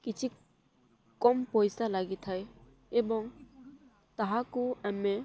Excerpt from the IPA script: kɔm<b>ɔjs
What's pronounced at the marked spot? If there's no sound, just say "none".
p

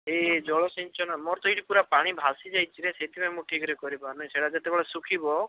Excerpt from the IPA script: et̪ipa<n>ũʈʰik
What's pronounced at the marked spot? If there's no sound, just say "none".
m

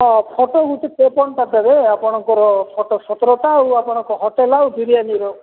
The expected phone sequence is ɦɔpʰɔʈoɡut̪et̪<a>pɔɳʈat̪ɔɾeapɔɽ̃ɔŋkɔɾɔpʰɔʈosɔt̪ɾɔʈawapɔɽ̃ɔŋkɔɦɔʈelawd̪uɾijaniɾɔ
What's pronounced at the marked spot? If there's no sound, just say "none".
e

